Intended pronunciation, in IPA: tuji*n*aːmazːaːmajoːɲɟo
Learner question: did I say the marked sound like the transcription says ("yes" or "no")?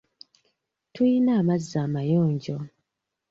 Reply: yes